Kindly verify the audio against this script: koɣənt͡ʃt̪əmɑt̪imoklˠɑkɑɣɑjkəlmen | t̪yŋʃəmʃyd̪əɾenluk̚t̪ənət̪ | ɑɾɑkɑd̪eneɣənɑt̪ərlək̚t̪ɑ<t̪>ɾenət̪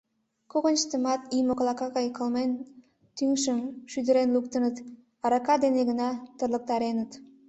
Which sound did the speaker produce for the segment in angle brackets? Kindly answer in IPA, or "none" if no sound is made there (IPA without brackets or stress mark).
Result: none